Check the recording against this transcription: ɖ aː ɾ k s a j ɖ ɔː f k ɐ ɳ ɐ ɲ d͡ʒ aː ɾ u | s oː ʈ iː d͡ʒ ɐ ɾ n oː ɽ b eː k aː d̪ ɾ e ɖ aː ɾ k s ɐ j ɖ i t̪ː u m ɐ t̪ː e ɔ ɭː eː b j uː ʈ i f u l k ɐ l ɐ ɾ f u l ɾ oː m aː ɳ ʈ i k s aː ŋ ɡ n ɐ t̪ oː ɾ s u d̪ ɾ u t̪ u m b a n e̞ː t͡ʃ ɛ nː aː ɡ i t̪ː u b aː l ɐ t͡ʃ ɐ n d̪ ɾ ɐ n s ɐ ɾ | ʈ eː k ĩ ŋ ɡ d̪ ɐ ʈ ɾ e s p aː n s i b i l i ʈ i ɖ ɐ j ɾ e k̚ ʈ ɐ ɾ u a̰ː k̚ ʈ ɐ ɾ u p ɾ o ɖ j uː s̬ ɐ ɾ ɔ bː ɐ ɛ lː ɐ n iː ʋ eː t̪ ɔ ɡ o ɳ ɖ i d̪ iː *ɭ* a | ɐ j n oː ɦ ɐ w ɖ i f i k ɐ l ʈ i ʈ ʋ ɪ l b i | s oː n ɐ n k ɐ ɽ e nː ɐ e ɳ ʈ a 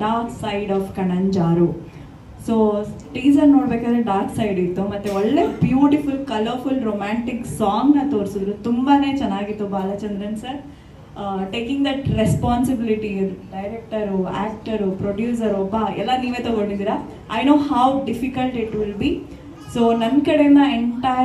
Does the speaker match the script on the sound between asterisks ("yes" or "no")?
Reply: no